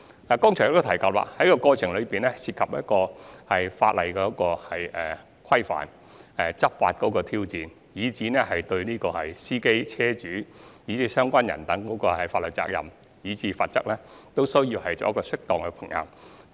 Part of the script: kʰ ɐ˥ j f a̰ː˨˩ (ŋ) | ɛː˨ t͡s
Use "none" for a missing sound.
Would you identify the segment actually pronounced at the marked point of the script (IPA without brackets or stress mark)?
n